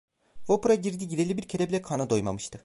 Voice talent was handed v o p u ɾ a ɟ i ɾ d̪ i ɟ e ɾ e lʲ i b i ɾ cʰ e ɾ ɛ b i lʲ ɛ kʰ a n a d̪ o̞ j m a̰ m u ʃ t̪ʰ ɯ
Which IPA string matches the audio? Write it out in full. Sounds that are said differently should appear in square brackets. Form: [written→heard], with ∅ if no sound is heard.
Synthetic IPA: v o p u ɾ a ɟ i ɾ d̪ i ɟ [e→i] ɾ e lʲ i b i ɾ cʰ e ɾ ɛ b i lʲ ɛ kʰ a n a d̪ o̞ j m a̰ m [u→ɯ] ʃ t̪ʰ ɯ